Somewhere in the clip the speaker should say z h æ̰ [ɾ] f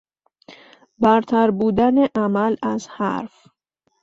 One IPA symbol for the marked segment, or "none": ɾ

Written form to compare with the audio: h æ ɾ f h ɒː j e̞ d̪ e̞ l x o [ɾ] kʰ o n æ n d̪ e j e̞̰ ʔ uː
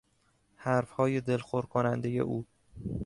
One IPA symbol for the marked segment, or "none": ɾ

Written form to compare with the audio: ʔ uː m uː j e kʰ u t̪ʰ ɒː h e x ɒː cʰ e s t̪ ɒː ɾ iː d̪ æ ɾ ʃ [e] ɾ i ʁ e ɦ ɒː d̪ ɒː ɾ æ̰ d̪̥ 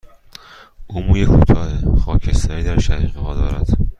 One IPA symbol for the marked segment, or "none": æ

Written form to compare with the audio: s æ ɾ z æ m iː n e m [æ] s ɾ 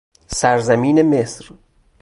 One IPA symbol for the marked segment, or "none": e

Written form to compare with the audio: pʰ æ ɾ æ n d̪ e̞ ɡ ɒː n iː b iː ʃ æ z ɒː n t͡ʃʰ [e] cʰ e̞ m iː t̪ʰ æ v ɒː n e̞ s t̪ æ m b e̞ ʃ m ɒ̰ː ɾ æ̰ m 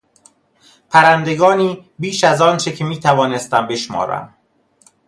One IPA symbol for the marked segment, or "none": e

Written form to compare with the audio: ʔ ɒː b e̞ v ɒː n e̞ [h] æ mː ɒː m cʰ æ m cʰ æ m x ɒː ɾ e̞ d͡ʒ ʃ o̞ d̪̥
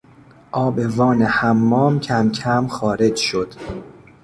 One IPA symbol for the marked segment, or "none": h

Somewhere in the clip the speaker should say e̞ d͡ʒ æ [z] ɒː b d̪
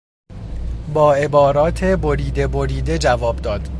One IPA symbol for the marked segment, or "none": v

